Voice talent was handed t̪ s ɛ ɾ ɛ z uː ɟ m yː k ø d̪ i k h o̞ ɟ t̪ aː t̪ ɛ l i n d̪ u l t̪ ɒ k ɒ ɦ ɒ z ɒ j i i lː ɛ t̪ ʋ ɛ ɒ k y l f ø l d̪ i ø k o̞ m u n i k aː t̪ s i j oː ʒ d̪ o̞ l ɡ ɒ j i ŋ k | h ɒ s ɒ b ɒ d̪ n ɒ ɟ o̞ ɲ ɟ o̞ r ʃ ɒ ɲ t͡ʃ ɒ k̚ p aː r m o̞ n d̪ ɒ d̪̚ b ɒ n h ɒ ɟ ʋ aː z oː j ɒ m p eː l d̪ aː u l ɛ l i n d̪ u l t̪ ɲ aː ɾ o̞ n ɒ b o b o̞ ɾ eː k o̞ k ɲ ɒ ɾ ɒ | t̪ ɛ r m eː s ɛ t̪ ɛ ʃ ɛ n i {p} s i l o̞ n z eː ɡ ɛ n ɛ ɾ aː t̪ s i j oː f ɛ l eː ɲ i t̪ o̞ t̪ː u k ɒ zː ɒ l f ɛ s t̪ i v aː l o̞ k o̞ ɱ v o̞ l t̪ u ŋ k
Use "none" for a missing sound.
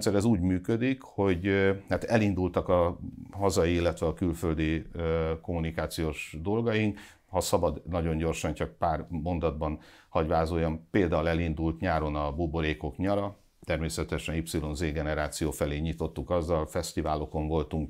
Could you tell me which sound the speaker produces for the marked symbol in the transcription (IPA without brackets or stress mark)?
p